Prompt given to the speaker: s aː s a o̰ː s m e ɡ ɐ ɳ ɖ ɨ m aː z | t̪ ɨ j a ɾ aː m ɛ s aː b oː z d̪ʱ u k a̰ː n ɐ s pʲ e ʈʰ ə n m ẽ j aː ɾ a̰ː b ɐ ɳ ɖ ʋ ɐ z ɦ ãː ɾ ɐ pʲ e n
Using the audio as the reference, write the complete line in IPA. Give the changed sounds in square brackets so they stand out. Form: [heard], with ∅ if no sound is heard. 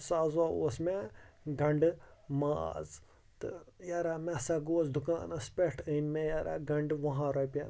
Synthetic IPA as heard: s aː [z] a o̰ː s m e ɡ ɐ ɳ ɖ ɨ m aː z | t̪ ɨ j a ɾ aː m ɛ s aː [ɡ] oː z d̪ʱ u k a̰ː n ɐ s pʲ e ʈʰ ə n m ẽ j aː ɾ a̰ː [ɡ] ɐ ɳ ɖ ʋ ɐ [∅] ɦ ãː ɾ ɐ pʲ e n